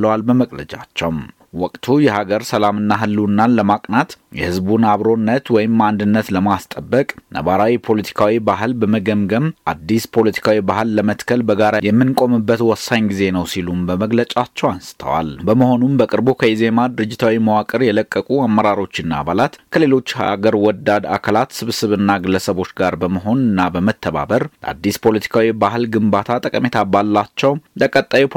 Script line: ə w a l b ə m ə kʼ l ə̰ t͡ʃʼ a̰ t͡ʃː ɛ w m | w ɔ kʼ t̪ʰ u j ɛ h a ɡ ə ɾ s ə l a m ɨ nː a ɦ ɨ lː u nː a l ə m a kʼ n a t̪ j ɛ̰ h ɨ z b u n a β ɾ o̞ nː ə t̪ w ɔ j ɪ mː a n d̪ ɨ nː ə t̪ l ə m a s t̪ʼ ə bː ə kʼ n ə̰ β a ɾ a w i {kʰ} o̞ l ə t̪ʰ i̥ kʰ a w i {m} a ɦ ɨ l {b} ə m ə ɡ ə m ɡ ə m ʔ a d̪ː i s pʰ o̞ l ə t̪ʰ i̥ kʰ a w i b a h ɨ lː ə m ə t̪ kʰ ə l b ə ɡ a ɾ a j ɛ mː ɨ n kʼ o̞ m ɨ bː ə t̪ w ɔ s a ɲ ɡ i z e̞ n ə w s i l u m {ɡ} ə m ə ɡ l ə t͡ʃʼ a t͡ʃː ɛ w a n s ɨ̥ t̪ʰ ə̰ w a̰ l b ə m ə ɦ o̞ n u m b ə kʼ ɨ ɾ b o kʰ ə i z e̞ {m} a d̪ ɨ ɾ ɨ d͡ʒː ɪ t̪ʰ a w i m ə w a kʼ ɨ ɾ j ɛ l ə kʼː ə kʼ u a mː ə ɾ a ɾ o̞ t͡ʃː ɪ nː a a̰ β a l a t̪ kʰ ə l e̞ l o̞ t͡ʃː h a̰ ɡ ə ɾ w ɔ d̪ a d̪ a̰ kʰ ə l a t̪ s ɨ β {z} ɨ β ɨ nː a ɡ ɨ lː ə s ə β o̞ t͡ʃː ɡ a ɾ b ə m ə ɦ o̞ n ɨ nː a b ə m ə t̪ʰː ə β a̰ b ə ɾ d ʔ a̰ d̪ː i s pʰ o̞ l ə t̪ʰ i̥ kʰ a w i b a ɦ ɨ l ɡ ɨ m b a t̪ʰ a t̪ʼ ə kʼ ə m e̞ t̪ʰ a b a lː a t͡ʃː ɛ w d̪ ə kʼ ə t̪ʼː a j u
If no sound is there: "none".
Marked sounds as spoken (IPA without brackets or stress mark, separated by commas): pʰ, b, b, b, m, s